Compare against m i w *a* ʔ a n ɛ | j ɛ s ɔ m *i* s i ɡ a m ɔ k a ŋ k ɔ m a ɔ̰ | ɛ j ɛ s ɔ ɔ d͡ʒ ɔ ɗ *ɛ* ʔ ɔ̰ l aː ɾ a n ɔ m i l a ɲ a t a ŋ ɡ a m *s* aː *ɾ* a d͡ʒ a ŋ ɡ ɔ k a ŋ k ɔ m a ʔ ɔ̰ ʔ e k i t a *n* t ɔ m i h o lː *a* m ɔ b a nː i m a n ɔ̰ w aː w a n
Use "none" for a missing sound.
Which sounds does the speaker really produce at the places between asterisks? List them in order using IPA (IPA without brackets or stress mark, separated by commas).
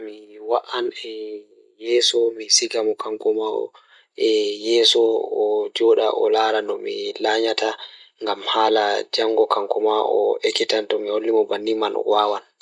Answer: a, i, a, h, l, n, i